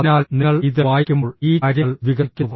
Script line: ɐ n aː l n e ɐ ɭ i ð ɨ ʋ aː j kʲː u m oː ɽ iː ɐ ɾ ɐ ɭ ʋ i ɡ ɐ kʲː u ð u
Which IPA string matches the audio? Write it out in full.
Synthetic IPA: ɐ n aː l n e ɐ ɭ i ð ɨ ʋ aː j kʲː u m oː ɭ iː ɐ ɾ ɐ ɭ ʋ i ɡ ɐ kʲː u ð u